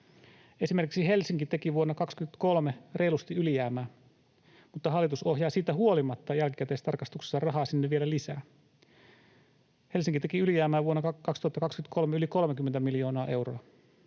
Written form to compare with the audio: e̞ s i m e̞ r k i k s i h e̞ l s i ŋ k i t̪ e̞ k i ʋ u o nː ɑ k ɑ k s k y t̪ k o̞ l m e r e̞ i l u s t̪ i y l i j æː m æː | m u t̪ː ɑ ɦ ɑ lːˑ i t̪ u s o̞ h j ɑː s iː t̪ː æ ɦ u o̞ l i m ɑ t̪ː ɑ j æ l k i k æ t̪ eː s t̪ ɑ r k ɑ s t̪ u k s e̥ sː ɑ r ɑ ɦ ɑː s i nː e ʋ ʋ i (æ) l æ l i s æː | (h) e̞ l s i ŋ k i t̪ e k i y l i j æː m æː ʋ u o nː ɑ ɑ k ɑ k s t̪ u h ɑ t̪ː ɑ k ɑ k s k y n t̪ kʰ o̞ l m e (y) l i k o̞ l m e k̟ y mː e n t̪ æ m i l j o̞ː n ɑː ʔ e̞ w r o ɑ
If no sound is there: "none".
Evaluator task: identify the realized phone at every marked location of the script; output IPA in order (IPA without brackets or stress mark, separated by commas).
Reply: e, h, y